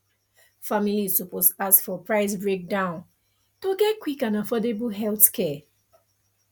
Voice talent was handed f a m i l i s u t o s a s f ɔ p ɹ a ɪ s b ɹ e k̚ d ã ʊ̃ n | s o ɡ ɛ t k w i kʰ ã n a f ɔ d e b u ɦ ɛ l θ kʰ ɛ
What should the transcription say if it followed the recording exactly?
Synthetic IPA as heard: f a m i l i s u p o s a s f ɔ p ɹ a ɪ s b ɹ e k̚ d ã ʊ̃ n | t o ɡ ɛ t k w i k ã n a f ɔ d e b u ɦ ɛ l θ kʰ ɛ